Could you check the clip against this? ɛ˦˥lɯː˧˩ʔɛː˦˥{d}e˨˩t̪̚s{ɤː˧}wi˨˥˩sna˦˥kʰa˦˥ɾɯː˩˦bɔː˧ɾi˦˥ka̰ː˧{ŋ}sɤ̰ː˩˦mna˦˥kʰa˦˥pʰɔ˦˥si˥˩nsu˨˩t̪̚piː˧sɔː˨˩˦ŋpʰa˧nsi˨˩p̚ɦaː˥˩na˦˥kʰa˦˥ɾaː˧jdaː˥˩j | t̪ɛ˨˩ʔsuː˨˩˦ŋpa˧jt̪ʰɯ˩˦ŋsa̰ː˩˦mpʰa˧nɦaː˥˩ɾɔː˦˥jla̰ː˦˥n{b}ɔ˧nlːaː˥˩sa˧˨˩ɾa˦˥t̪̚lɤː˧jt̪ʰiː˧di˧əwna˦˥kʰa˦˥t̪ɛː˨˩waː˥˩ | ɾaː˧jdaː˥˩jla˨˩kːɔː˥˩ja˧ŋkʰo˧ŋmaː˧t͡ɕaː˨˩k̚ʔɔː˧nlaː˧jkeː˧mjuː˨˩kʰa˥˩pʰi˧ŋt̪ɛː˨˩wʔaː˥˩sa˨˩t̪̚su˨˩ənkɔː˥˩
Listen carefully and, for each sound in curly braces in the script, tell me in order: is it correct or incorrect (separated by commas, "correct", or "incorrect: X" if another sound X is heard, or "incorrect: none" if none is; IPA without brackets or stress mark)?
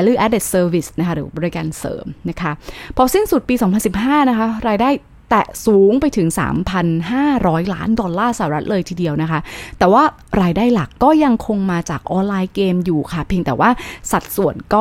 correct, correct, incorrect: n, incorrect: d